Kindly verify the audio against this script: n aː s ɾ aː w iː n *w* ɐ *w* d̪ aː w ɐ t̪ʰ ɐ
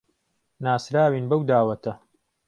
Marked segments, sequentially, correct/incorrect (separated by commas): incorrect, correct